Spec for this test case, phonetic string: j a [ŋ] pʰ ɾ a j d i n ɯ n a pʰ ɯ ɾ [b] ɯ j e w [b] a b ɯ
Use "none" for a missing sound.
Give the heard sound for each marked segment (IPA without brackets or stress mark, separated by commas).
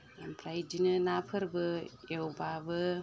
m, b, b